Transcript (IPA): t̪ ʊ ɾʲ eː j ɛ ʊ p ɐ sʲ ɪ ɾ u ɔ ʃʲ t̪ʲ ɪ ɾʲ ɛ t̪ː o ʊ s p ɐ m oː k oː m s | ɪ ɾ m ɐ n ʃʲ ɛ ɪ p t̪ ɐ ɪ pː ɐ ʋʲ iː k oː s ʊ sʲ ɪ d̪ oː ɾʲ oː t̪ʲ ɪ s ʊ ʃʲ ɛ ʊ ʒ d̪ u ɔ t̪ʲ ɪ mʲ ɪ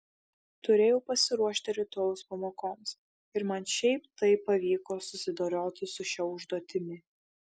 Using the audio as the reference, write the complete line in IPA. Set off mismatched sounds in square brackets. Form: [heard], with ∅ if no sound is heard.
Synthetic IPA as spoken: t̪ ʊ ɾʲ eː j ɛ ʊ p ɐ sʲ ɪ ɾ u ɔ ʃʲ t̪ʲ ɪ ɾʲ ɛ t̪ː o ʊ s p ɐ m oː k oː m s | ɪ ɾ m ɐ n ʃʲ ɛ ɪ p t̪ ɐ ɪ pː ɐ ʋʲ iː k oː s ʊ sʲ ɪ d̪ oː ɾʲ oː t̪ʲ ɪ s ʊ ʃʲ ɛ ʊ ʒ d̪ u ɔ t̪ʲ ɪ mʲ ɪ